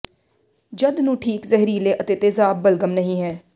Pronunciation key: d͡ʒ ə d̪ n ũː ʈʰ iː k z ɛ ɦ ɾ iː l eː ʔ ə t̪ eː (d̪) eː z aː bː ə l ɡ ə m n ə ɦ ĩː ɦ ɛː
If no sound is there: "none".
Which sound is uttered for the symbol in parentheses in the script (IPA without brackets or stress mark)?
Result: t̪